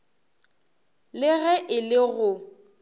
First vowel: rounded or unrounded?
unrounded